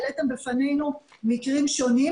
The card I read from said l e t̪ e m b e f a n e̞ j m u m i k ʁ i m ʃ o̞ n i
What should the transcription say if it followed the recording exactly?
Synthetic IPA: l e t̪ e m b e f a n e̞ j n u m i k ʁ i m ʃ o̞ n i